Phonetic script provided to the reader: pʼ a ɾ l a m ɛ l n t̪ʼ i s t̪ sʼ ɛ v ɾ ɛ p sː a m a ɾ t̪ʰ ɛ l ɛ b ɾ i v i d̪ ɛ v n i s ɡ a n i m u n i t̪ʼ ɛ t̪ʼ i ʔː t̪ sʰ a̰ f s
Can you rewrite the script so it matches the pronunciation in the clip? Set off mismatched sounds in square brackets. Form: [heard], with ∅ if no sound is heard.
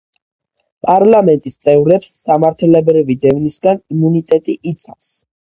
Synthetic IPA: pʼ a ɾ l a m ɛ [∅] n t̪ʼ i s t̪ sʼ ɛ v ɾ ɛ p sː a m a ɾ t̪ʰ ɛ l ɛ b ɾ i v i d̪ ɛ v n i s ɡ a n i m u n i t̪ʼ ɛ t̪ʼ i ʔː t̪ sʰ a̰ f s